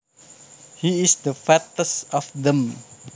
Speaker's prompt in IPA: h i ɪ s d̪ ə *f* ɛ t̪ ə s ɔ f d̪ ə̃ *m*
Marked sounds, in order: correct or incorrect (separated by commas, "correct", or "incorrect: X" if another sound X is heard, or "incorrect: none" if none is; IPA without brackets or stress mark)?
correct, correct